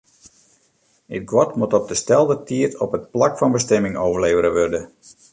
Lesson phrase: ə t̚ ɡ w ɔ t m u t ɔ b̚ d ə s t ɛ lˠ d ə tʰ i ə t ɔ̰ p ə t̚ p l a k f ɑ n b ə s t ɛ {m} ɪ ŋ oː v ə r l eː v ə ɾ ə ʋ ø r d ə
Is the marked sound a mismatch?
no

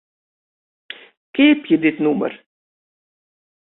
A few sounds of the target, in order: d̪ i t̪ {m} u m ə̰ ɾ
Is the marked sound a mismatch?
yes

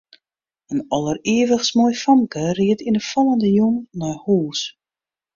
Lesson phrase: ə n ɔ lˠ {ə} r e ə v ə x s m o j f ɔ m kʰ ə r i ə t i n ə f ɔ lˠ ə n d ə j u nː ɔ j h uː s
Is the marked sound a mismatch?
no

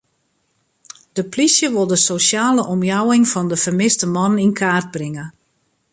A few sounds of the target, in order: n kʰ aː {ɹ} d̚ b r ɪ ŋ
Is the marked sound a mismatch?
yes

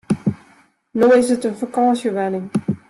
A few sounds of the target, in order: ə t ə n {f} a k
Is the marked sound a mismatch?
no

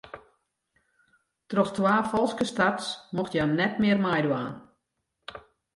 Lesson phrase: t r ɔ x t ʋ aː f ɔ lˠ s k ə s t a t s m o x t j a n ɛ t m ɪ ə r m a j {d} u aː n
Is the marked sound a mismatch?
no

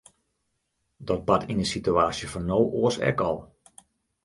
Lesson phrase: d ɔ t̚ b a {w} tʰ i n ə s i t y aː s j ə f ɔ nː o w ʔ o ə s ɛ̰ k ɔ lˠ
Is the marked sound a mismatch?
yes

